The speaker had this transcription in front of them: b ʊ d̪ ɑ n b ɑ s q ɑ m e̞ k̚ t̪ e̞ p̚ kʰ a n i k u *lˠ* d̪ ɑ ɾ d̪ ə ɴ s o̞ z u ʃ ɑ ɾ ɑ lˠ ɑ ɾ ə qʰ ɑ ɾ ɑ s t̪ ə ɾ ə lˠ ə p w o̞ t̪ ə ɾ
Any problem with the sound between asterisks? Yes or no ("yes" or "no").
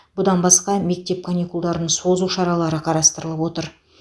no